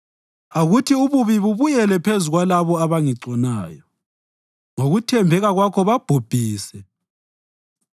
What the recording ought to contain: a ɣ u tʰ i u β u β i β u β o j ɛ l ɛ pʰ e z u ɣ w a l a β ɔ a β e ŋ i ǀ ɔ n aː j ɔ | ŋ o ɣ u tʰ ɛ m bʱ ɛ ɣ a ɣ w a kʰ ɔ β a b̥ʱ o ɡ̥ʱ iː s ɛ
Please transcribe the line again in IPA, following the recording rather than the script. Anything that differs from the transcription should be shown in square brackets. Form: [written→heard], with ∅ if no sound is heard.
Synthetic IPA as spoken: a ɣ u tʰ i u β u β i β u β [o→u] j ɛ l ɛ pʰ e z u ɣ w a l a β ɔ a β [e→a] ŋ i ǀ ɔ n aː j ɔ | ŋ o ɣ u tʰ ɛ m bʱ ɛ ɣ a ɣ w a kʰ ɔ β a b̥ʱ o [ɡ̥ʱ→b̥ʱ] iː s ɛ

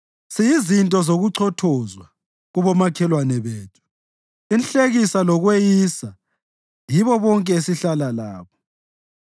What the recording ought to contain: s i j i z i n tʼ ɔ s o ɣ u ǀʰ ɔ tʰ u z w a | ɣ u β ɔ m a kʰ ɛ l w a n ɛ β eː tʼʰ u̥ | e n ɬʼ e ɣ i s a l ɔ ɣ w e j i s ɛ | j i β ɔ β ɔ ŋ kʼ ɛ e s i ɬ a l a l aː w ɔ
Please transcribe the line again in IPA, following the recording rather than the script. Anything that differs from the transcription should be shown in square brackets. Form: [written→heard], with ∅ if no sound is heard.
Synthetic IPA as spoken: s i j i z i n tʼ ɔ [s→z] o ɣ u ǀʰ ɔ tʰ [u→ɔ] z w a | ɣ u β ɔ m a kʰ ɛ l w a n ɛ β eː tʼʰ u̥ | [e→i] n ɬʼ e ɣ i s a l ɔ ɣ w e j i s [ɛ→a] | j i β ɔ β ɔ ŋ kʼ ɛ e s i ɬ a l a l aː [w→β] ɔ

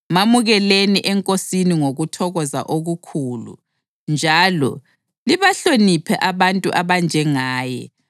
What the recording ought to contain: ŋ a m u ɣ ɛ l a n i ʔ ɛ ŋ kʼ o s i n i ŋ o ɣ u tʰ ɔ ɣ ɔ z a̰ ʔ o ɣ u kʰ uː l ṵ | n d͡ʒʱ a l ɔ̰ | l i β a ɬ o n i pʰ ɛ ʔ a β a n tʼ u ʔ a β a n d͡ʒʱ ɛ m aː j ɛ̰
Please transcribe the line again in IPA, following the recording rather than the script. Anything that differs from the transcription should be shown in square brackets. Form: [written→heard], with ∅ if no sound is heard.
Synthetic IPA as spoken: [ŋ→m] a m u ɣ ɛ l [a→e] n i ʔ ɛ ŋ kʼ o s i n i ŋ o ɣ u tʰ ɔ ɣ ɔ z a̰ ʔ o ɣ u kʰ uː l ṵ | n d͡ʒʱ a l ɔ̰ | l i β a ɬ o n i pʰ ɛ ʔ a β a n tʼ u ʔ a β a n d͡ʒʱ ɛ [m→ŋ] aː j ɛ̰

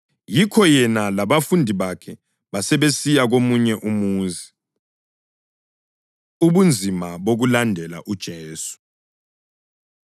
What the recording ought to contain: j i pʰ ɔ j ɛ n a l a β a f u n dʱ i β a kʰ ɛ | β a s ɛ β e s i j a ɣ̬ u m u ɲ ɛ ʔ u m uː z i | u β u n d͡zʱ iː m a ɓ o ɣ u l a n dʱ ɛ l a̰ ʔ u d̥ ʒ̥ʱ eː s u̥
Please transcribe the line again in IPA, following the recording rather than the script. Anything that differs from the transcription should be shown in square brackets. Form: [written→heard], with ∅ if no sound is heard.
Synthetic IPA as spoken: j i [pʰ→kʰ] ɔ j ɛ n a l a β a f u n dʱ i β a kʰ ɛ | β a s ɛ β e s i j a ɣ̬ [u→o] m u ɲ ɛ ʔ u m uː z i | u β u n d͡zʱ [iː→i] m a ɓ o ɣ u l a n dʱ ɛ l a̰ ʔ u d̥ ʒ̥ʱ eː s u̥

